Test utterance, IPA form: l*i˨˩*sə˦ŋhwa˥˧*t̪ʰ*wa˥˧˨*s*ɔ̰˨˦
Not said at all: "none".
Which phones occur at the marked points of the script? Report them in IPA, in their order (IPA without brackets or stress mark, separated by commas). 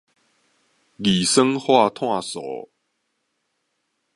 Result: i˨˩, t̪ʰ, s